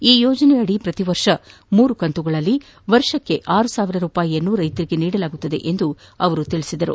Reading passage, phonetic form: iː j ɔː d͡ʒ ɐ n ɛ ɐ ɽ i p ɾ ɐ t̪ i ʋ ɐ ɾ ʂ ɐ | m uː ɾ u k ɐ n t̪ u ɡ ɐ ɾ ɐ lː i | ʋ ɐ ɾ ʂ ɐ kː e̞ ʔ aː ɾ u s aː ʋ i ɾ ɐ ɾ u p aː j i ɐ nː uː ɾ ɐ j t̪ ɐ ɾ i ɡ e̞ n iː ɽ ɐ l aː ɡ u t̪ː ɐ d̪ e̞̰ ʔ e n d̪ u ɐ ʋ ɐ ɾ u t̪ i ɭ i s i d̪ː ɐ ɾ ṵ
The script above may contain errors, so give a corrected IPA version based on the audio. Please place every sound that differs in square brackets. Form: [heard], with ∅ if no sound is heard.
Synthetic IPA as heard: iː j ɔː d͡ʒ ɐ n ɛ ɐ ɽ i p ɾ ɐ t̪ i ʋ ɐ ɾ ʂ ɐ | m uː ɾ u k ɐ n t̪ u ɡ ɐ [ɭ] ɐ lː i | ʋ ɐ ɾ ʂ ɐ kː e̞ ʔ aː ɾ u s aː ʋ i ɾ ɐ ɾ [uː] p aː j i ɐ nː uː ɾ ɐ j t̪ ɐ ɾ i ɡ e̞ n iː ɽ ɐ l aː ɡ u t̪ː ɐ d̪ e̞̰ ʔ e n d̪ u ɐ ʋ ɐ ɾ u t̪ i ɭ i s i [d̪] ɐ ɾ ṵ